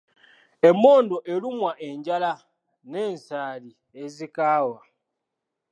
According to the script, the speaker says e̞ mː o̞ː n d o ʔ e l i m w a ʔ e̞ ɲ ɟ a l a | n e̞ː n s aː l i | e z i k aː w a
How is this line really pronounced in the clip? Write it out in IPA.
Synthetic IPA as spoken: e̞ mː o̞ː n d o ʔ e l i m w a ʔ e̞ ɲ ɟ a l a | n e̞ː n s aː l i | e z i k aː w a